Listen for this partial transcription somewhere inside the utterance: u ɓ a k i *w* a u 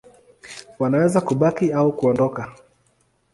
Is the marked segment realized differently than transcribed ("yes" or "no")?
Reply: yes